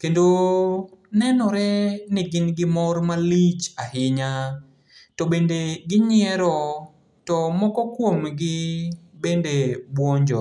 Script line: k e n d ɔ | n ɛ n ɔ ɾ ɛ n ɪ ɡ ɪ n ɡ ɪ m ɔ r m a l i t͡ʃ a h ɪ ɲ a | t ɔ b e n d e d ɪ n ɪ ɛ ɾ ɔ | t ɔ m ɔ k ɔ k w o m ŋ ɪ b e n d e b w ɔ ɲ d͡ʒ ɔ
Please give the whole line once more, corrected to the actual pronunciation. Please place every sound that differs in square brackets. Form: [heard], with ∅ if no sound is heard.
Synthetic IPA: k e n d [o] | n ɛ n ɔ ɾ ɛ n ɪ ɡ ɪ n ɡ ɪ m ɔ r m a l i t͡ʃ a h ɪ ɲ a | t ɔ b e n d e [ɡ] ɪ [ɲ] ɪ ɛ ɾ ɔ | t ɔ m ɔ k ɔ k w o m [ɡ] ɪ b e n d e b w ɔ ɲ d͡ʒ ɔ